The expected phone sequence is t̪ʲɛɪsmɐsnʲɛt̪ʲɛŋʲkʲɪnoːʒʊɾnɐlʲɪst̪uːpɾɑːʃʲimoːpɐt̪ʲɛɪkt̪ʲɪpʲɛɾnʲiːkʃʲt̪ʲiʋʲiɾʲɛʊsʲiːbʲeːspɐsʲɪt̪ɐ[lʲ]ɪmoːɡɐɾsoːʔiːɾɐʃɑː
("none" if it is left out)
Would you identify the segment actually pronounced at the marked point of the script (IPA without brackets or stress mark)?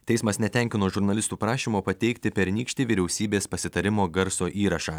ɾʲ